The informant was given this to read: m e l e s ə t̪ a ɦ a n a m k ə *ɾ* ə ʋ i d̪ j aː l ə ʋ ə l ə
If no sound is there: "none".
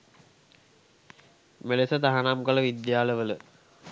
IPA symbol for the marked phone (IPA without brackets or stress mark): l